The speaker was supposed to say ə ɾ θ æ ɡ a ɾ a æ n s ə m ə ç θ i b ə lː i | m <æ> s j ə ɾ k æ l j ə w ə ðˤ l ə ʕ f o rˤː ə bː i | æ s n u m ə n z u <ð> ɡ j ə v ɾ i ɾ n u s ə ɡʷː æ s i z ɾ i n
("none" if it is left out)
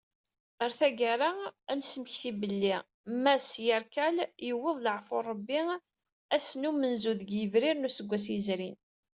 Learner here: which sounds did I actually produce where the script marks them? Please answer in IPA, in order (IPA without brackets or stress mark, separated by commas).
æ, ð